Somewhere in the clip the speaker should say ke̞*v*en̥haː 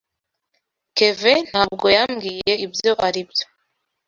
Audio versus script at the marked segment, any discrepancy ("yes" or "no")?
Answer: no